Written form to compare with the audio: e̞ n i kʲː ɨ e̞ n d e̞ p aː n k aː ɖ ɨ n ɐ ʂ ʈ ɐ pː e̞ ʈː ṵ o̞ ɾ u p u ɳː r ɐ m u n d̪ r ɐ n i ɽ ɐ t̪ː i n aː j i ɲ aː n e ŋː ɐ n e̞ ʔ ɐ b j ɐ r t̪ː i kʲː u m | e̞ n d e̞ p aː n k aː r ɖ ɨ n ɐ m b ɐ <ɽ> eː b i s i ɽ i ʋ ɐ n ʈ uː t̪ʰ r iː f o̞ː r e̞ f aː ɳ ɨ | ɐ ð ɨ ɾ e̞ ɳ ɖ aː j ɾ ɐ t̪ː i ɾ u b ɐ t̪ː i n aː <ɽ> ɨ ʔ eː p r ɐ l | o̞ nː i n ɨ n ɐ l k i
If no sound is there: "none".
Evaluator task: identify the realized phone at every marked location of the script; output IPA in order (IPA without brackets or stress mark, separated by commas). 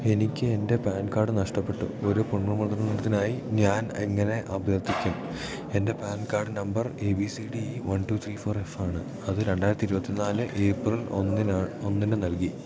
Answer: r, l